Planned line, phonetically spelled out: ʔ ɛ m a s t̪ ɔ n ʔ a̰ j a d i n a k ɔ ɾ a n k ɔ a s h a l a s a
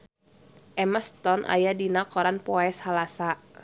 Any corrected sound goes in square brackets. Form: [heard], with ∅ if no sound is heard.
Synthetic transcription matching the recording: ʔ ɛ m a s t̪ ɔ n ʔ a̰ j a d i n a k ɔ ɾ a n [p] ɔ [ɛ] s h a l a s a